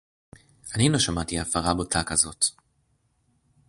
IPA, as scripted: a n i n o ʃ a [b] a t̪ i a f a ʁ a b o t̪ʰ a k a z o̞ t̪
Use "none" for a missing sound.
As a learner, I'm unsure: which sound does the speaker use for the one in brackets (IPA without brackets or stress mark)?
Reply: m